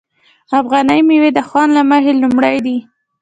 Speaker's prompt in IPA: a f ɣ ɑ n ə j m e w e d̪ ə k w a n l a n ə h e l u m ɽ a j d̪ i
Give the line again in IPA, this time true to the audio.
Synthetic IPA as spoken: a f ɣ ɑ n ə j m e w e d̪ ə x w ɑ n l a m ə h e l u m ɽ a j d̪ i